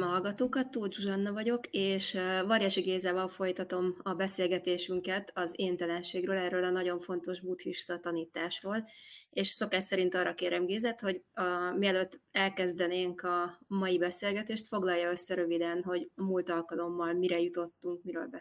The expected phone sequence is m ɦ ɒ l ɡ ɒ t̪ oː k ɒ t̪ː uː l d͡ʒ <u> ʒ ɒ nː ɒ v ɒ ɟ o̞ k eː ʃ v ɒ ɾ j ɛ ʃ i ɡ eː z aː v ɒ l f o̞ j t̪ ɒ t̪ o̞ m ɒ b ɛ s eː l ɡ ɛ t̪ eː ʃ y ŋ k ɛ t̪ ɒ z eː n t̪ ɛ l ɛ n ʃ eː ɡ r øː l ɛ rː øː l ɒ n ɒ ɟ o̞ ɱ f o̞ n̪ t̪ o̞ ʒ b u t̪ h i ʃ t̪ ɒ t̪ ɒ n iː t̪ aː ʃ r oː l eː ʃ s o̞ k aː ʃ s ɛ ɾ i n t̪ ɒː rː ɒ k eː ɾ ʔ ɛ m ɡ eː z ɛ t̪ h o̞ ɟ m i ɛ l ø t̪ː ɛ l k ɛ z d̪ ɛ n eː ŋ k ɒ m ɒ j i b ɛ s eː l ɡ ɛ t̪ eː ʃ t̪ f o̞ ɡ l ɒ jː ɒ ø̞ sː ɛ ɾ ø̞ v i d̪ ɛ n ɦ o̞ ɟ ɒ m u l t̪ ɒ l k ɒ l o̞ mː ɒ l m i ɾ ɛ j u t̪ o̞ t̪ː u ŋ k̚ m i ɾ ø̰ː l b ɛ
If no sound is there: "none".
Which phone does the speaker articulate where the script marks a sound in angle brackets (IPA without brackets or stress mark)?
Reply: u